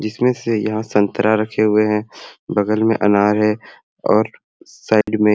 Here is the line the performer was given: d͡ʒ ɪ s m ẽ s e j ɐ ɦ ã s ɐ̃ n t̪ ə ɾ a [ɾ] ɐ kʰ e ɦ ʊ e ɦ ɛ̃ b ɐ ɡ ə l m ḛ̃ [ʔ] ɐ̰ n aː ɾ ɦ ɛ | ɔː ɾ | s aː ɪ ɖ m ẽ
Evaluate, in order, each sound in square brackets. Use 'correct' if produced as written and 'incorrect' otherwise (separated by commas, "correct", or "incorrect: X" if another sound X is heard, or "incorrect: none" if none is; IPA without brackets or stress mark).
correct, correct